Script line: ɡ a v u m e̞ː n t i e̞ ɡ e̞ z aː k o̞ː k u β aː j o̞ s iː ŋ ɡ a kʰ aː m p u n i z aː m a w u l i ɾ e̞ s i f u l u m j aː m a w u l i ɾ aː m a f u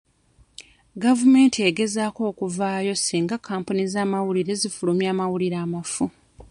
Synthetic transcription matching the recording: ɡ a v u m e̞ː n t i e̞ ɡ e̞ z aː k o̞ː k u v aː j o̞ s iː ŋ ɡ a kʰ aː m p u n i z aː m a w u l i ɾ e̞ z i f u l u m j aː m a w u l i ɾ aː m a f u